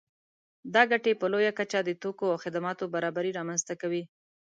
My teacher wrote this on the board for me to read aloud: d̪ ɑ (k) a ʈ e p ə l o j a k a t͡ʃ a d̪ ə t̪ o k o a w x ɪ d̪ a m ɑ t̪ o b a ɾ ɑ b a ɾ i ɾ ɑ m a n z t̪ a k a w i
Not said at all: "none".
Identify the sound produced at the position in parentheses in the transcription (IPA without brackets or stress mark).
ɡ